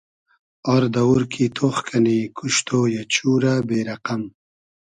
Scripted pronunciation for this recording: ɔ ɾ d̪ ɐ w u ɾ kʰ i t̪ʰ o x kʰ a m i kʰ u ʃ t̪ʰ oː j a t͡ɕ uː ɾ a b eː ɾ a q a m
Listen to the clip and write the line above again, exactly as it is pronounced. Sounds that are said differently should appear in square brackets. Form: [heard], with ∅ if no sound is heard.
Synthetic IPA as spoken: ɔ ɾ d̪ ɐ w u ɾ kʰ i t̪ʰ o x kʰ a [n] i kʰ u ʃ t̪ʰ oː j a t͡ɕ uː ɾ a b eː ɾ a q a m